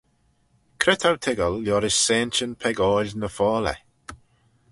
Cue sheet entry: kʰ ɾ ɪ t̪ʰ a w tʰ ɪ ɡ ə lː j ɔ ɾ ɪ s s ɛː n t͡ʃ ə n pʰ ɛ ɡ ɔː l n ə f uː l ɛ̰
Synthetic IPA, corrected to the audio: kʰ ɾ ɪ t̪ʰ a w tʰ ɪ ɡ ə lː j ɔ ɾ ɪ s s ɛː n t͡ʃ ə n pʰ ɛ ɡ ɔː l n ə f ɔː l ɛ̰